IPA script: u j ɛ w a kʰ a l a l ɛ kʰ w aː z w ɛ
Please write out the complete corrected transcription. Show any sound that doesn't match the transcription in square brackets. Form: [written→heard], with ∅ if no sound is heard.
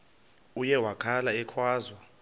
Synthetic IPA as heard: u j ɛ w a kʰ a l a [l→∅] ɛ kʰ w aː z w [ɛ→a]